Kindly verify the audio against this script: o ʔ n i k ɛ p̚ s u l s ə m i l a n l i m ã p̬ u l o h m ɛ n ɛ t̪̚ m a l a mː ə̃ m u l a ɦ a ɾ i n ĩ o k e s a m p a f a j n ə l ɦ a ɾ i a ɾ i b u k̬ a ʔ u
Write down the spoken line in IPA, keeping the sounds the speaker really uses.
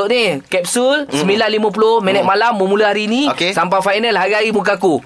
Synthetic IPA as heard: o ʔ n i k ɛ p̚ s u l s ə m i l a n l i m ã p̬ u l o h m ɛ n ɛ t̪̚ m a l a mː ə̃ m u l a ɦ a ɾ i n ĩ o k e s a m p a f a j n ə l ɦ a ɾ i a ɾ i m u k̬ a k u